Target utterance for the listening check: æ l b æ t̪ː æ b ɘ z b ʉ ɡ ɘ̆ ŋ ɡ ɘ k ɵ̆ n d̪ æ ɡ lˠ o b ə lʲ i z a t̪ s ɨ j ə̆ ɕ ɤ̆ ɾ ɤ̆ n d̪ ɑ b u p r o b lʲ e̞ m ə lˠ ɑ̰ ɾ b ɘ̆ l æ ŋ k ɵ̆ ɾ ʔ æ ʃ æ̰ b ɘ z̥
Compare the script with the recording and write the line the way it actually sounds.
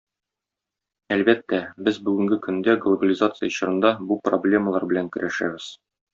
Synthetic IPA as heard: æ l b æ t̪ː æ b ɘ z b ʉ ɡ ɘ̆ ŋ ɡ ɘ k ɵ̆ n d̪ æ ɡ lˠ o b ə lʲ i z a t̪ s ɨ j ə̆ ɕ ɤ̆ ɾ ɤ̆ n d̪ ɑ b u p r o b lʲ e̞ m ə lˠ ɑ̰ ɾ b ɘ̆ l æ ŋ k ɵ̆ ɾ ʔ æ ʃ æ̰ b ɘ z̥